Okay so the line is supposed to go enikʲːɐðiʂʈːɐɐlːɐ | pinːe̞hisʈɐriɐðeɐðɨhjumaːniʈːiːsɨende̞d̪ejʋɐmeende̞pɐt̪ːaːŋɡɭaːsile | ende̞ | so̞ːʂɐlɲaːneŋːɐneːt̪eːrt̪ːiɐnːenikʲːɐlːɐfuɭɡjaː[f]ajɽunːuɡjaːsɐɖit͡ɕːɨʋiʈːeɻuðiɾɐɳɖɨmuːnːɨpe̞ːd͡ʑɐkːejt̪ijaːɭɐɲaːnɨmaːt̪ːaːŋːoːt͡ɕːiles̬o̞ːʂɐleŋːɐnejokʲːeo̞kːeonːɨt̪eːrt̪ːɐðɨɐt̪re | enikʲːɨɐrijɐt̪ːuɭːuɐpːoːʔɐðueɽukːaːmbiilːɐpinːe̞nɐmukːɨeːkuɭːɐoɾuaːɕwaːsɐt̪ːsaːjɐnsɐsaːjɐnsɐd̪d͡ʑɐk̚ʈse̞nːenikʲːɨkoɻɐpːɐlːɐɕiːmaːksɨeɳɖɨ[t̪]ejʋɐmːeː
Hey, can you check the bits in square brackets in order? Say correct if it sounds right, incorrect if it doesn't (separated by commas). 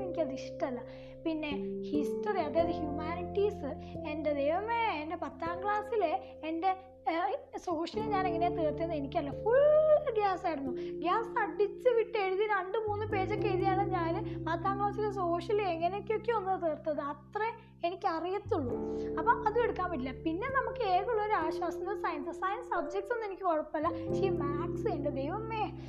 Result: incorrect, incorrect